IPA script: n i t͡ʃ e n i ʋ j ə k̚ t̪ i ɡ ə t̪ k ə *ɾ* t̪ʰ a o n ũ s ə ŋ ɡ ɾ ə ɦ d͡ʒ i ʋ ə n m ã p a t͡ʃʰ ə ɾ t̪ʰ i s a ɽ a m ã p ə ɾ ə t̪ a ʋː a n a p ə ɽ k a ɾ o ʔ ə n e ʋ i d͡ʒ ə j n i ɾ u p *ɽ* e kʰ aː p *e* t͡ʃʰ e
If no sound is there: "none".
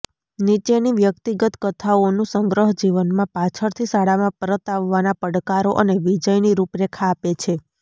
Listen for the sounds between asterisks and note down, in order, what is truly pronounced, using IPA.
none, ɾ, e

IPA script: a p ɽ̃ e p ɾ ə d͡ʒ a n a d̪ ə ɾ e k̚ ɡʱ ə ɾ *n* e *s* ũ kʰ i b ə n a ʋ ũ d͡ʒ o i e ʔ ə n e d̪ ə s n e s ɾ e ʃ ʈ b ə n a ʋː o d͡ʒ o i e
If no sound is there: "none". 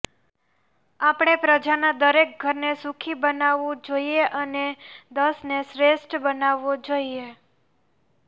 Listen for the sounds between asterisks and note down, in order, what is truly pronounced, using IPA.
n, s

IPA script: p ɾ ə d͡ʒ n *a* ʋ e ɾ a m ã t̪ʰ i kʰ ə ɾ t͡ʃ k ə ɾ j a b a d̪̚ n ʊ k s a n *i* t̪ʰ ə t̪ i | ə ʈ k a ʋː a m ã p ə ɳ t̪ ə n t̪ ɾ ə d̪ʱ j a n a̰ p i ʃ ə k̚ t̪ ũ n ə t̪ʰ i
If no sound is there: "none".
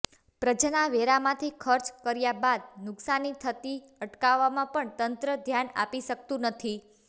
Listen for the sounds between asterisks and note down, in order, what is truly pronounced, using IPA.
a, i

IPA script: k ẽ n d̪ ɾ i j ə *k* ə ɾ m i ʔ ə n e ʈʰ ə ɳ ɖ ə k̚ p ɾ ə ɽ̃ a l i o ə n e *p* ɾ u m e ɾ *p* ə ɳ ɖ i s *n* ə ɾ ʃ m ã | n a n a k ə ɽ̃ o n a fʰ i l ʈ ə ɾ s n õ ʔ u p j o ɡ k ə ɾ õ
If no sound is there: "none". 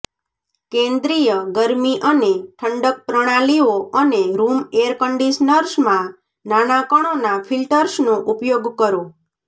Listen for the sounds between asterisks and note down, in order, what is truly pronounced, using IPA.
ɡ, none, k, n

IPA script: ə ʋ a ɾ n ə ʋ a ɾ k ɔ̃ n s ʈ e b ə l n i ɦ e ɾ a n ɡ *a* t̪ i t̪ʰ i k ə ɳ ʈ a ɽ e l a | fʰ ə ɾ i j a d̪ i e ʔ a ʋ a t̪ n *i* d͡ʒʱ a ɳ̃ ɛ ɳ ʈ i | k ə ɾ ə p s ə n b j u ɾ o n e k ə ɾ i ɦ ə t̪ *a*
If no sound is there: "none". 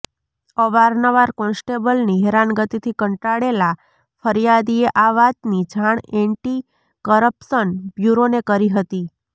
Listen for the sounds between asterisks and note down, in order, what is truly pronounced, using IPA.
ə, i, i

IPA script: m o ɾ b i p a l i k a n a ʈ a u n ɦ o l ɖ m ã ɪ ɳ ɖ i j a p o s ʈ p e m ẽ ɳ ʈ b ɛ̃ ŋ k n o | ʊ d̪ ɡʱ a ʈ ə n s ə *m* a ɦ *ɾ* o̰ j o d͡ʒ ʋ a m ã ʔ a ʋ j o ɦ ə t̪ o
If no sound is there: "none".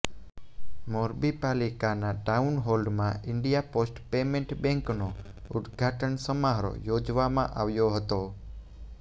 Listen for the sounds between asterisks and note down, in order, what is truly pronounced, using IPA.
m, ɾ

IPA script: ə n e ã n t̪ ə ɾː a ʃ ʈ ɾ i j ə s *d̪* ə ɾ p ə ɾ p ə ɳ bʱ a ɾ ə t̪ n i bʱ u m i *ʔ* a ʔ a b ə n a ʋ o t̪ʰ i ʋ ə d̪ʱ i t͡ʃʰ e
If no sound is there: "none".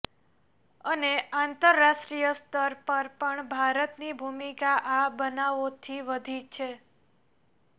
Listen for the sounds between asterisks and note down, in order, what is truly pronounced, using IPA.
t̪, k

